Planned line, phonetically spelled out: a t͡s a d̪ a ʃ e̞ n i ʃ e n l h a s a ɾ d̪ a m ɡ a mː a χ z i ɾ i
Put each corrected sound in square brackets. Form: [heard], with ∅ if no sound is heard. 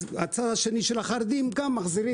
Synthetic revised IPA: a t͡s a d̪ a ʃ e̞ n i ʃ e [∅] l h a [χ] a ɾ d̪ [i] m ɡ a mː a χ z i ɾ i